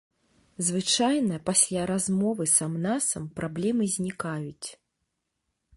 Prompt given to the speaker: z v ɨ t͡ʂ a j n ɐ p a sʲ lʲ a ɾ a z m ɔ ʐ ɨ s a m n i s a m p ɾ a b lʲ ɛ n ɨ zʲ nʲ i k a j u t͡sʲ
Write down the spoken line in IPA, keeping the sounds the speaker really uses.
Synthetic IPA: z v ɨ t͡ʂ a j n ɐ p a sʲ lʲ a ɾ a z m ɔ v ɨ s a m n a s ɐ m p ɾ a b lʲ ɛ m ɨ zʲ nʲ i k a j u t͡sʲ